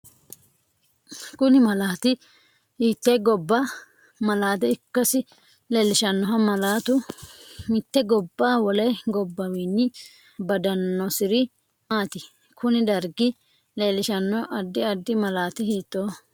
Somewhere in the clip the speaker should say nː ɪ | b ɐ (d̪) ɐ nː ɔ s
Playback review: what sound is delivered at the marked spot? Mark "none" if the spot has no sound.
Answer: d̪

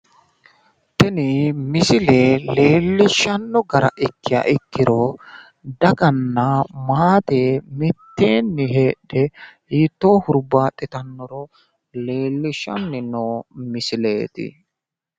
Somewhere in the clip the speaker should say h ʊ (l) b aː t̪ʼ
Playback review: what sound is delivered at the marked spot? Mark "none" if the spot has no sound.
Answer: ɾ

